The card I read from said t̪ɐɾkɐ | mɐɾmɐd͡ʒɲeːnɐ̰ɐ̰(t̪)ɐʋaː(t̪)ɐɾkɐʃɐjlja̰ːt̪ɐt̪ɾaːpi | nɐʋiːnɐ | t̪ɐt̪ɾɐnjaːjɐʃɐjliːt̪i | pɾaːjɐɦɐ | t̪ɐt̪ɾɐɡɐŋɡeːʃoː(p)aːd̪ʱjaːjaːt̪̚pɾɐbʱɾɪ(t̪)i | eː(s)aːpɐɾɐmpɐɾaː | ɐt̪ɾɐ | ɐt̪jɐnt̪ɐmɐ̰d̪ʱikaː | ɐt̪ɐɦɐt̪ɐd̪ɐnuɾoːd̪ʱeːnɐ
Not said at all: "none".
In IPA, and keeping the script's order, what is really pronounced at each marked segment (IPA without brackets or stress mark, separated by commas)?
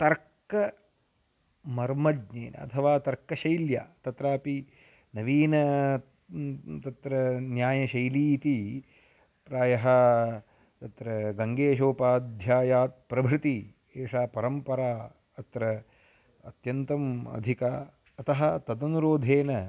t̪ʰ, t̪, p, t̪, ʂ